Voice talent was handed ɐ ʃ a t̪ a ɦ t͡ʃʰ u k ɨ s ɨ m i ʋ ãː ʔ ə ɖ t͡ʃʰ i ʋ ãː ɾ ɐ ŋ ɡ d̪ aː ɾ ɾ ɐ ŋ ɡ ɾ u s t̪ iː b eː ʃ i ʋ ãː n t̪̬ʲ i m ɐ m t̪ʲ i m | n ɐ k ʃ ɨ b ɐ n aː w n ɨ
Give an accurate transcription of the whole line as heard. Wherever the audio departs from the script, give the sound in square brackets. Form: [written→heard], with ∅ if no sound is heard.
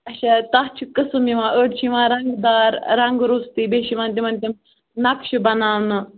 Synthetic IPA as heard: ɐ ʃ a t̪ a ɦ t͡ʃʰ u k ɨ s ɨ m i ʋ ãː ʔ ə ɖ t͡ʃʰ i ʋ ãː ɾ ɐ ŋ ɡ d̪ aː ɾ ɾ ɐ ŋ ɡ ɾ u s t̪ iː b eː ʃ i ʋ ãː n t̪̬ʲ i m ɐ [m→n] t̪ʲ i m | n ɐ k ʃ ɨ b ɐ n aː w n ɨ